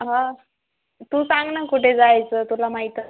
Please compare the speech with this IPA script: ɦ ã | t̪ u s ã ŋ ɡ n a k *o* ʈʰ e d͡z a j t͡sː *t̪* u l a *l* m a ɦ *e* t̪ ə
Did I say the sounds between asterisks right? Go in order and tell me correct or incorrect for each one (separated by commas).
incorrect, correct, incorrect, incorrect